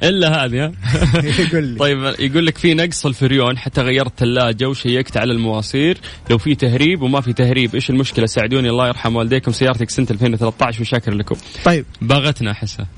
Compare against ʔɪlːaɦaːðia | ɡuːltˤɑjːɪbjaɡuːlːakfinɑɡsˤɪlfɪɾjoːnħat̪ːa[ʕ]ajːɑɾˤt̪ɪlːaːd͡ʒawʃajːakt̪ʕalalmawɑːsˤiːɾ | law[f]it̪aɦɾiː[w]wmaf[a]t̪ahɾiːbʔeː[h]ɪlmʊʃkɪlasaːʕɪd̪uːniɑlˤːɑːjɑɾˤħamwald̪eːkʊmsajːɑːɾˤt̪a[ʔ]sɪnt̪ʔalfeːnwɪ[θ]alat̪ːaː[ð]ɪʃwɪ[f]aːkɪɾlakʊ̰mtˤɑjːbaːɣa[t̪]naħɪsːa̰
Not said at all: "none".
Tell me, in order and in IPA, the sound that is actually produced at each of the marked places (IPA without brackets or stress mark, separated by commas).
ɣ, f, b, i, ʃ, k, θ, ʕ, ʃ, t̪